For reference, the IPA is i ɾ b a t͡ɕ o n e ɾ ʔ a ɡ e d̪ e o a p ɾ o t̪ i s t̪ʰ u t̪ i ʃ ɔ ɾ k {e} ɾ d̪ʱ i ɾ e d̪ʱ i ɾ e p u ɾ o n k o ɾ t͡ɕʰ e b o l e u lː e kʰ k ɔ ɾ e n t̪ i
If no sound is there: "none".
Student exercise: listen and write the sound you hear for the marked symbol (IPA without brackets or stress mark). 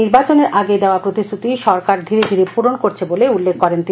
a